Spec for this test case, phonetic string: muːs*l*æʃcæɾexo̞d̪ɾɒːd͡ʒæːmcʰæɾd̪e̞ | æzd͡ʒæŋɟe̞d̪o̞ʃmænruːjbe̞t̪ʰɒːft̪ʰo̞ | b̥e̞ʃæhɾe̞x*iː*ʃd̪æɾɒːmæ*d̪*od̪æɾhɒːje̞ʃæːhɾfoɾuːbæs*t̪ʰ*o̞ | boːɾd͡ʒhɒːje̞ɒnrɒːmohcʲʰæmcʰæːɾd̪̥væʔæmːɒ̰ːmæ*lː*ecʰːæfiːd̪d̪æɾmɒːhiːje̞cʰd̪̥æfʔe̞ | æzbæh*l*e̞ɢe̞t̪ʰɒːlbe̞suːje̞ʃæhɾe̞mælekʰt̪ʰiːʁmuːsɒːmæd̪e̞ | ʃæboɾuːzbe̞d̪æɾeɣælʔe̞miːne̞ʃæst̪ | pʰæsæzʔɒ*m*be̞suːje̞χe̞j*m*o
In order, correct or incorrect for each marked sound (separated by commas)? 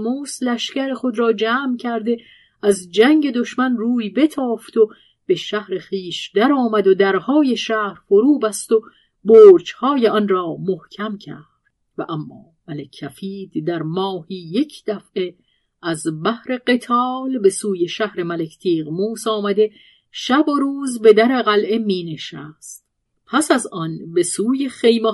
correct, correct, correct, incorrect, incorrect, incorrect, incorrect, correct